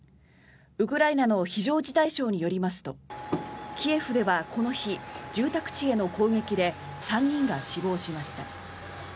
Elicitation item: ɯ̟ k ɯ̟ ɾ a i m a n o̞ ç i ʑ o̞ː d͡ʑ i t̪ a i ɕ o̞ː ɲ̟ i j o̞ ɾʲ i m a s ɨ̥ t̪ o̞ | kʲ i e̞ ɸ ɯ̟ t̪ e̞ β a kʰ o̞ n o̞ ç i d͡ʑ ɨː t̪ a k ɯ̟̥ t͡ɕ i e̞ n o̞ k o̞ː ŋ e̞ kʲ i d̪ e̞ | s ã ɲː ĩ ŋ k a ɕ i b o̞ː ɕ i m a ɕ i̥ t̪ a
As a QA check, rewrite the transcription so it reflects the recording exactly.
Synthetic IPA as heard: ɯ̟ k ɯ̟ ɾ a i n a n o̞ ç i ʑ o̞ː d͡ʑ i t̪ a i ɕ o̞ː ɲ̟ i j o̞ ɾʲ i m a s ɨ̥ t̪ o̞ | kʲ i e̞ ɸ ɯ̟ d̪ e̞ β a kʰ o̞ n o̞ ç i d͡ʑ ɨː t̪ a k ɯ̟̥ t͡ɕ i e̞ n o̞ k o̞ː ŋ e̞ kʲ i d̪ e̞ | s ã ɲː ĩ ŋ ɡ a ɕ i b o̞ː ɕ i m a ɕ i̥ t̪ a